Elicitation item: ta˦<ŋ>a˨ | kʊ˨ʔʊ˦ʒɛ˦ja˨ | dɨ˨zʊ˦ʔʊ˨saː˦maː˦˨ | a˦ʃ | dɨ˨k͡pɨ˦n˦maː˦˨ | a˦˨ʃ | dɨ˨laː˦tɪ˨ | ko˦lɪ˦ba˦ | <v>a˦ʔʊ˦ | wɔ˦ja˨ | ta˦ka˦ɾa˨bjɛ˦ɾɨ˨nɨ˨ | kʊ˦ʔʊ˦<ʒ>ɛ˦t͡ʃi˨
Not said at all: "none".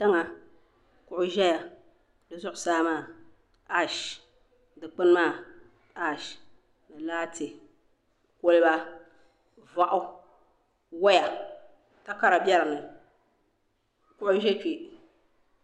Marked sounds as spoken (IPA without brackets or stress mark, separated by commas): ŋ, v, ʒ